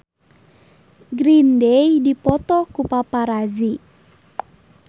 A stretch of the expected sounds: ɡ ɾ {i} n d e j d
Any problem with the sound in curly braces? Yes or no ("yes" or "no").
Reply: no